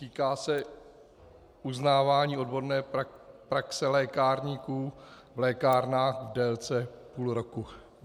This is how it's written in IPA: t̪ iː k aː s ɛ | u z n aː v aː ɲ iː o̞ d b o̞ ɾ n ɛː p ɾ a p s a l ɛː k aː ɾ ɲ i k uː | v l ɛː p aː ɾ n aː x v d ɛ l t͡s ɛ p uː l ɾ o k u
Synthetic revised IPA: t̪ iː k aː s ɛ | u z n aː v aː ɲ iː o̞ d b o̞ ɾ n ɛː p ɾ a k s ɛ l ɛː k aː ɾ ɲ i k uː | v l ɛː k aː ɾ n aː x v d ɛ l t͡s ɛ p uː l ɾ o k u